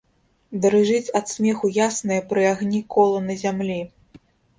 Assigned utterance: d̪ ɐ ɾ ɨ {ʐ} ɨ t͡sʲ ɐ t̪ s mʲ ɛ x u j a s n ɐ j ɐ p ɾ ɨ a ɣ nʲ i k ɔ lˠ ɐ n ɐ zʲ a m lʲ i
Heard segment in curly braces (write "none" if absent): ʐ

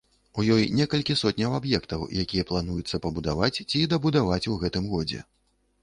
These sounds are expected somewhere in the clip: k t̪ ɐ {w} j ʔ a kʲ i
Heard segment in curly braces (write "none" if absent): w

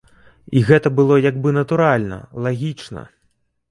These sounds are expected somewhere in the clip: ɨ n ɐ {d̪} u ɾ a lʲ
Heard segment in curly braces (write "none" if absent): t̪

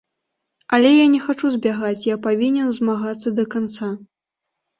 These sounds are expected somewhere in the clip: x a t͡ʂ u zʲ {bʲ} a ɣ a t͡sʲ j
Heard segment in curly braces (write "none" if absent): bʲ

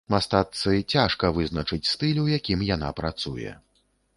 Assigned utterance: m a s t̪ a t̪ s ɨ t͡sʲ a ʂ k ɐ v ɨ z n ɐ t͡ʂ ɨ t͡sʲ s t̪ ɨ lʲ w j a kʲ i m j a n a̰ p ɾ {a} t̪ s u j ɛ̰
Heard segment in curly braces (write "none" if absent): a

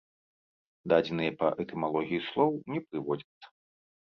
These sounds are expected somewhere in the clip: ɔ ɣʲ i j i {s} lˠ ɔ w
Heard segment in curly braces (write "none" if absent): s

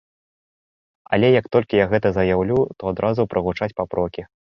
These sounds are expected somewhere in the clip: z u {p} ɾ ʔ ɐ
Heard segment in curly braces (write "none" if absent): p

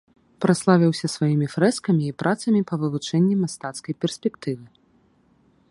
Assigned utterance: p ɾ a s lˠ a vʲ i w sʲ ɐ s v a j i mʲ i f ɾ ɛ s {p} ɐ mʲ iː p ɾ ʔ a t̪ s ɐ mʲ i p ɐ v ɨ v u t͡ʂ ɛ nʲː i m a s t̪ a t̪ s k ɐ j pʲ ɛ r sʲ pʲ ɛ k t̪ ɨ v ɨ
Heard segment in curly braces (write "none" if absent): k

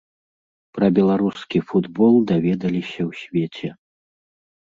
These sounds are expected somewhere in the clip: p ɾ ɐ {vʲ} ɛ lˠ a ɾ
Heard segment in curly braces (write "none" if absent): bʲ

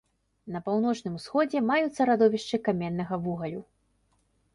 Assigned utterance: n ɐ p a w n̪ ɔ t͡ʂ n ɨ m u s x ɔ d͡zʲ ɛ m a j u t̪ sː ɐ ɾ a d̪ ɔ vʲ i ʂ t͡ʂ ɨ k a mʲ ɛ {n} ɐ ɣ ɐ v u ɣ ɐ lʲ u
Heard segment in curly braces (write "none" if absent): nː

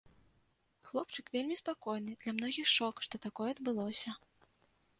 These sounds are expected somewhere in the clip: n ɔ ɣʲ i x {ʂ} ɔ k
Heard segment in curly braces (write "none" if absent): ʂ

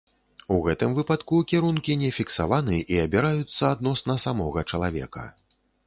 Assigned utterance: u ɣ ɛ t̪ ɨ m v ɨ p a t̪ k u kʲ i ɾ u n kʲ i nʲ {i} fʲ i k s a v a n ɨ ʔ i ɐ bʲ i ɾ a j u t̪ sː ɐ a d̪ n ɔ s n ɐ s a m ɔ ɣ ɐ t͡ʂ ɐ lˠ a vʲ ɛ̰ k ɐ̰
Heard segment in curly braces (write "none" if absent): ɛ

